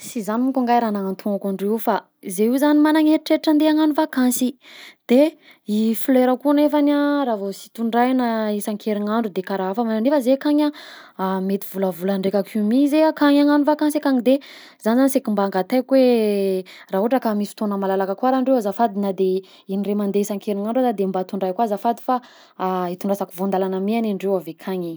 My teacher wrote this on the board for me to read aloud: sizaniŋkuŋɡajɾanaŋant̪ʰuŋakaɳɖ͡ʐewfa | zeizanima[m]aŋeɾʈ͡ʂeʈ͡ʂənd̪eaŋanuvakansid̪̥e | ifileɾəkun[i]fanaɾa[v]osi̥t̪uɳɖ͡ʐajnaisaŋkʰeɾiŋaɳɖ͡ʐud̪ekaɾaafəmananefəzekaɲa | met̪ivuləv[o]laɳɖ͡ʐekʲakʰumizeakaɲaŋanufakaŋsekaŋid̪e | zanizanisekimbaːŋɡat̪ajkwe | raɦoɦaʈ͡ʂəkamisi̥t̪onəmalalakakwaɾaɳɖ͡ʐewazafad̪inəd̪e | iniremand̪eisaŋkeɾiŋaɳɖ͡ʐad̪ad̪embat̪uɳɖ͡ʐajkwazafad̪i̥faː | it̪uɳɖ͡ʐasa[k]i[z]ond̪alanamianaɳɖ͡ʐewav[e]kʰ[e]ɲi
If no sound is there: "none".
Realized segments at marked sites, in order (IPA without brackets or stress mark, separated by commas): n, e, v, u, k, v, e, a